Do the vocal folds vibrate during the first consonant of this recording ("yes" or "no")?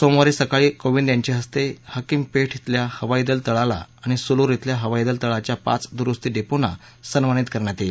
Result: no